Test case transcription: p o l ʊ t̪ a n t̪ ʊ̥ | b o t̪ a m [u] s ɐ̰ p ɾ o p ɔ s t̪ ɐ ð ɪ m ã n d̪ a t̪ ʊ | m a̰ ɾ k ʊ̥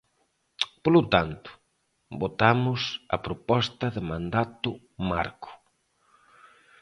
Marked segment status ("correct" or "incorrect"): incorrect